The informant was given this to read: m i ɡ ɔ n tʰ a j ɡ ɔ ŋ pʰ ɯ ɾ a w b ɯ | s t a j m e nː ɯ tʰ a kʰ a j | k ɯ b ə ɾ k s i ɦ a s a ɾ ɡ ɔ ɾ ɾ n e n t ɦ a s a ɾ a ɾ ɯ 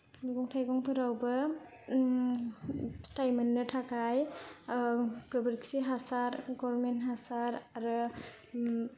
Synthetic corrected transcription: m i ɡ ɔ ŋ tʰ a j ɡ ɔ ŋ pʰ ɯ ɾ a w b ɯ | s t a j m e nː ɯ tʰ a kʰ a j | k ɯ b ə ɾ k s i ɦ a s a ɾ ɡ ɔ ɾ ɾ m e n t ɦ a s a ɾ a ɾ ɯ